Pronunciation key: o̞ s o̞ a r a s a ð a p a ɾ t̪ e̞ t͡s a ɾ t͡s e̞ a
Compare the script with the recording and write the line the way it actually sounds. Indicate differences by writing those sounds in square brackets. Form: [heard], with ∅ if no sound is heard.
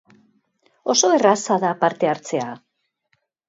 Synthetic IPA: o̞ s o̞ [e] r a s a ð a p a ɾ t̪ e̞ [∅] a ɾ t͡s e̞ a

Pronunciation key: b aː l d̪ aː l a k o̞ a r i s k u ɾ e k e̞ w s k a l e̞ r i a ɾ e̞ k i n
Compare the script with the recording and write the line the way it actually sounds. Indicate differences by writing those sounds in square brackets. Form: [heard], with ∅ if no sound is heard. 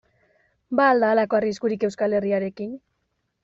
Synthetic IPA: b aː l d̪ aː l a k o̞ a r i s k u ɾ [i] k e̞ w s k a l e̞ r i a ɾ e̞ k i n

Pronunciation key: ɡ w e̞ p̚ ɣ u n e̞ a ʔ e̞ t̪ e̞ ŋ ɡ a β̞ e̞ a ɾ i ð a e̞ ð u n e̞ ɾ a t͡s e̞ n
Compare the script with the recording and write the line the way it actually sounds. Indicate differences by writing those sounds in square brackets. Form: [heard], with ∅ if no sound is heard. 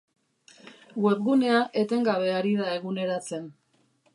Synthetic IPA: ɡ w e̞ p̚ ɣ u n e̞ a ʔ e̞ t̪ e̞ ŋ ɡ a β̞ e̞ a ɾ i ð a e̞ [ɣ] u n e̞ ɾ a t͡s e̞ n

